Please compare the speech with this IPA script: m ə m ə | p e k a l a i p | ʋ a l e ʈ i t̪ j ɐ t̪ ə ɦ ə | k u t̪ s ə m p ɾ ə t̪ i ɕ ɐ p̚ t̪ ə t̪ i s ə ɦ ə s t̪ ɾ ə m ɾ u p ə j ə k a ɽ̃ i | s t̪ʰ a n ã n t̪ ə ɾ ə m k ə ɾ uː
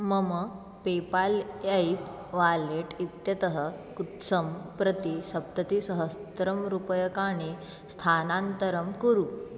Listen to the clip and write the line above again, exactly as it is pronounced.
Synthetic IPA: m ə m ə | p e p a l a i p | ʋ a l e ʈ i t̪ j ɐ t̪ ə ɦ ə | k u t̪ s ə m p ɾ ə t̪ i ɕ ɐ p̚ t̪ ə t̪ i s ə ɦ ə s t̪ ɾ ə m ɾ u p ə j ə k a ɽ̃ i | s t̪ʰ a n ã n t̪ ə ɾ ə m k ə ɾ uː

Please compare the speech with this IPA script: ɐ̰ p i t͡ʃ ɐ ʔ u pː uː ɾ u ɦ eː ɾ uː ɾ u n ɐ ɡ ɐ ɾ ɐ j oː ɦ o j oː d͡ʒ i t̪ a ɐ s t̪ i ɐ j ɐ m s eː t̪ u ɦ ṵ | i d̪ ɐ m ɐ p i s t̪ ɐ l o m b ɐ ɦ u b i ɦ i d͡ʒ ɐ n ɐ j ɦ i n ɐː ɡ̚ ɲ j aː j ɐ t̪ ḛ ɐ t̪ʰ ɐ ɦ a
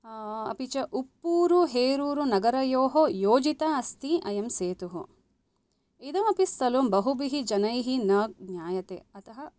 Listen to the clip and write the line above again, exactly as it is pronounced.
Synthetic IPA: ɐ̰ p i t͡ʃ ɐ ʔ u pː uː ɾ u ɦ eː ɾ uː ɾ u n ɐ ɡ ɐ ɾ ɐ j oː ɦ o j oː d͡ʒ i t̪ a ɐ s t̪ i ɐ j ɐ m s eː t̪ u ɦ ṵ | i d̪ ɐ m ɐ p i s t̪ ɐ l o m b ɐ ɦ u b i ɦ i d͡ʒ ɐ n ɐ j ɦ i n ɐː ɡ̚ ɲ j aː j ɐ t̪ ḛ ɐ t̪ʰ ɐ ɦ ɐ

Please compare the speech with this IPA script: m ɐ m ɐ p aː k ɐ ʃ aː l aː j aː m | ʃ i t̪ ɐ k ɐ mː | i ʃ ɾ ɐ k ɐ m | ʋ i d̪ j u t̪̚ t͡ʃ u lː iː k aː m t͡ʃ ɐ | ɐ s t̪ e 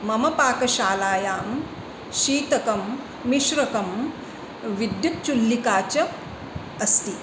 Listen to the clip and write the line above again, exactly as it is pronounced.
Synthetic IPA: m ɐ m ɐ p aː k ɐ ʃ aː l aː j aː m | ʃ iː t̪ ɐ k ɐ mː | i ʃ ɾ ɐ k ɐ m | ʋ i d̪ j u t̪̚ t͡ʃ u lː i k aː t͡ʃ ɐ | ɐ s t̪ i

